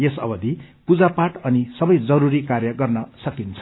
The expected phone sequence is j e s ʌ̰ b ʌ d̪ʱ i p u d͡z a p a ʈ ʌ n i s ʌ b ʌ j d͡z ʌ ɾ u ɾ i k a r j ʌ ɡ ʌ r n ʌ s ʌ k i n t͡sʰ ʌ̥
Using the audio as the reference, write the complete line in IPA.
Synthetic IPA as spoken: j e s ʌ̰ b ʌ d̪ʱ i p u d͡z a p a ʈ ʌ n i s ʌ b ʌ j d͡z ʌ ɾ u ɾ i k a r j ʌ ɡ ʌ r n ʌ s ʌ k i n t͡sʰ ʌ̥

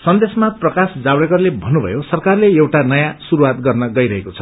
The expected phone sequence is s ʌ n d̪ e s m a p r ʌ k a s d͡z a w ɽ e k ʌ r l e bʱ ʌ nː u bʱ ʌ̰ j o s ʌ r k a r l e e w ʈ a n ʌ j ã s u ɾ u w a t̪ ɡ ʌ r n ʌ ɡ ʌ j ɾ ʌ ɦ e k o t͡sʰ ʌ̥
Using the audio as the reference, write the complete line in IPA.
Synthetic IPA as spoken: s ʌ n d̪ e s m a p r ʌ k a s d͡z a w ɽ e k ʌ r l e bʱ ʌ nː u bʱ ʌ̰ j o s ʌ r k a r l e e w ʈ a n ʌ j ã s u ɾ u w a t̪ ɡ ʌ r n ʌ ɡ ʌ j ɾ ʌ ɦ e k o t͡sʰ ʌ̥

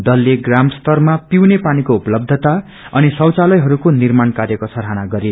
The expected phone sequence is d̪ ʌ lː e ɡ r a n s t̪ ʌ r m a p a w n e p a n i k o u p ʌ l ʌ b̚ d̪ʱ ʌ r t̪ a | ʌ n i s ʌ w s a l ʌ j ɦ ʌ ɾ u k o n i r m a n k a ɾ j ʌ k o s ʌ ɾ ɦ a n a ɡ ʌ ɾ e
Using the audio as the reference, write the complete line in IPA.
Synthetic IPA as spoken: d̪ ʌ lː e ɡ r a m s t̪ ʌ r m a p i w n e p a n i k o u p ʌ l ʌ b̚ d̪ʱ ʌ t̪ a | ʌ n i s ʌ w t͡s a l ʌ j ɦ ʌ ɾ u k o n i r m a n k a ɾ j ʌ k o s ʌ ɾ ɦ a n a ɡ ʌ ɾ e

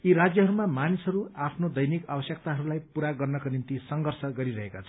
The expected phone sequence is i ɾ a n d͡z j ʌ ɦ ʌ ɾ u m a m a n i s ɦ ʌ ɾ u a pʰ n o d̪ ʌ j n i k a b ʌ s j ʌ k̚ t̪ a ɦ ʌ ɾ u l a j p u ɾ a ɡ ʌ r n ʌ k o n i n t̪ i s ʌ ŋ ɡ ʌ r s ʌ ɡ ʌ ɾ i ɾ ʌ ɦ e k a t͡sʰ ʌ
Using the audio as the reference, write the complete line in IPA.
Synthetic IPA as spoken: i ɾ a d͡z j ʌ ɦ ʌ ɾ u m a m a n i s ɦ ʌ ɾ u a pʰ n o d̪ ʌ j n i k a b ʌ s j ʌ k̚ t̪ a ɦ ʌ ɾ u l a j p u ɾ a ɡ ʌ r n ʌ k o n i n t̪ i s ʌ ŋ ɡ ʌ r s ʌ ɡ ʌ ɾ i ɾ ʌ ɦ e k a t͡sʰ ʌ

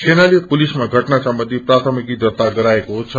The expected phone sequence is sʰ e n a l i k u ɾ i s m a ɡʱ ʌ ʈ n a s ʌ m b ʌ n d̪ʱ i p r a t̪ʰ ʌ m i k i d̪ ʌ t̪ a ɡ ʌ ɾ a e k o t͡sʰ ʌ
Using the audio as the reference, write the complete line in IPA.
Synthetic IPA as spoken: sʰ e n a l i p u l i s m a ɡʱ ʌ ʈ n a s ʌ m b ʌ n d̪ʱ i p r a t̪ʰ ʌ m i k i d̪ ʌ t̪ a ɡ ʌ ɾ a e k o t͡sʰ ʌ

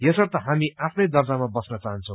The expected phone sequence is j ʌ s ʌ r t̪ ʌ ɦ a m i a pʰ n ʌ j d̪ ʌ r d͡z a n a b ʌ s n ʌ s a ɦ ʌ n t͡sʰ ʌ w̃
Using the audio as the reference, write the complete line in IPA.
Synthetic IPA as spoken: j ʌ s ʌ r t̪ ʌ ɦ a m i a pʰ n ʌ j d̪ ʌ r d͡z a m a b ʌ s n ʌ t͡s a ɦ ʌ n t͡sʰ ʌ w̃

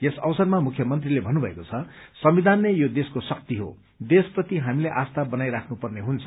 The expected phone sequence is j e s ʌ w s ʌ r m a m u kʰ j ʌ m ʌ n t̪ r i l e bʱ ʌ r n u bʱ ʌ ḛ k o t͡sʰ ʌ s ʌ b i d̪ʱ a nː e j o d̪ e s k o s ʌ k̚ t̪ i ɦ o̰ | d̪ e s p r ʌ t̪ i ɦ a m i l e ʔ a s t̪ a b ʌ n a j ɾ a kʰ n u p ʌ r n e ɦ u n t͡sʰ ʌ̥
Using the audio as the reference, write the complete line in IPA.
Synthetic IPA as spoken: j e s ʌ w s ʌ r m a m u kʰ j ʌ m ʌ n t̪ r i l e bʱ ʌ n u bʱ ʌ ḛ k o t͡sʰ ʌ s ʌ m i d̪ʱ a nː e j o d̪ e s k o s ʌ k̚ t̪ i ɦ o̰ | d̪ e s p r ʌ t̪ i ɦ a m i l e ʔ a s t̪ a b ʌ n a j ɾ a kʰ n u p ʌ r n e ɦ u n t͡sʰ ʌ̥

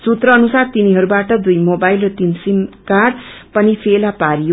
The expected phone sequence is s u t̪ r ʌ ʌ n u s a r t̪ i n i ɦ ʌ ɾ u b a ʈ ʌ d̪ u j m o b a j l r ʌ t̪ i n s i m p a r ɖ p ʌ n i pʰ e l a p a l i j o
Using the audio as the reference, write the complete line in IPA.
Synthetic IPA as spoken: s u t̪ r ʌ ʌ n u s a r t̪ i n i ɦ ʌ ɾ u b a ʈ ʌ d̪ u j m o b a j l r ʌ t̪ i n s i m k a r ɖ p ʌ n i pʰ e l a p a ɾ i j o

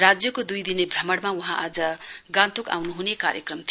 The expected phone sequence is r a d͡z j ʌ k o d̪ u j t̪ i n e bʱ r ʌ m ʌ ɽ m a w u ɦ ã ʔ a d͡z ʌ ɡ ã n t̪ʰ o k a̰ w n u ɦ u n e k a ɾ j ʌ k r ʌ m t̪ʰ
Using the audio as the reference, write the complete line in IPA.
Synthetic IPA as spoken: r a d͡z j ʌ k o d̪ u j d̪ i n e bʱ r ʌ m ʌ ɽ m a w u ɦ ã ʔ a d͡z ʌ ɡ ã n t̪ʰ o k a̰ w n u ɦ u n e k a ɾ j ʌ k r ʌ m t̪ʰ

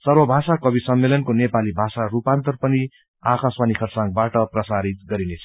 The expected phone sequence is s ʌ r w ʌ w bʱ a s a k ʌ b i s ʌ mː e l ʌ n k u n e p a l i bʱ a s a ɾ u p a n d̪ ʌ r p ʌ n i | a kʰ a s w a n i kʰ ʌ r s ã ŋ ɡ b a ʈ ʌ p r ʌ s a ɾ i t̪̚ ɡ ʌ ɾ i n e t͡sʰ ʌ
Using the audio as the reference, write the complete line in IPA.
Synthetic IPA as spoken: s ʌ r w ʌ bʱ a s a k ʌ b i s ʌ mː e l ʌ n k o n e p a l i bʱ a s a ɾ u p a n t̪ ʌ r p ʌ n i | a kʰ a s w a n i kʰ ʌ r s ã ŋ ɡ b a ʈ ʌ p r ʌ s a ɾ i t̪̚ ɡ ʌ ɾ i n e t͡sʰ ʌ

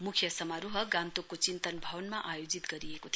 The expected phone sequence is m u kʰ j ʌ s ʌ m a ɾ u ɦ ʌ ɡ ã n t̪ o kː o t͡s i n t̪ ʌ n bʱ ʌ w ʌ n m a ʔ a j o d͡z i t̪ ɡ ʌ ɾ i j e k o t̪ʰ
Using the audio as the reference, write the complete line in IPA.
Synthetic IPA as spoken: m u kʰ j ʌ s ʌ m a ɾ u ɦ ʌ ɡ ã n t̪ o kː o t͡s i n t̪ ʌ n bʱ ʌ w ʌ n m a ʔ a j o d͡z i t̪ ɡ ʌ ɾ i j e k o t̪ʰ

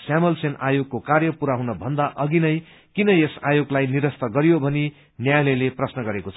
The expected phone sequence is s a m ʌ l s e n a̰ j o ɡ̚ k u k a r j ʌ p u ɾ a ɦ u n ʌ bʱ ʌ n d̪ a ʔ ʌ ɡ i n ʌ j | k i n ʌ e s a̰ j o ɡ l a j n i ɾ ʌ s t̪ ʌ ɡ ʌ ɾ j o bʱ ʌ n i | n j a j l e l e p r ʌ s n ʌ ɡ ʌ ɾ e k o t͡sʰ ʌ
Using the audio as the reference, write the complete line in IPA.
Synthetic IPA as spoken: s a m ʌ l s e n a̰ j o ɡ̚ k o k a r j ʌ p u ɾ a ɦ u n ʌ bʱ ʌ n d̪ a ʔ ʌ ɡ i n ʌ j | k i n ʌ e s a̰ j o ɡ l a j n i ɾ ʌ s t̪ ʌ ɡ ʌ ɾ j o bʱ ʌ n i | n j a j l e l e p r ʌ s n ʌ ɡ ʌ ɾ e k o t͡sʰ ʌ

